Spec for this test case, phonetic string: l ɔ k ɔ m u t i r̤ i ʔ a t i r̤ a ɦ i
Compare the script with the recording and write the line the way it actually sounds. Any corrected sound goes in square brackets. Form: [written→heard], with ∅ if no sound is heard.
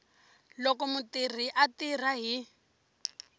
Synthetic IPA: l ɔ k ɔ m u t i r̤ i ʔ a t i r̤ a ɦ i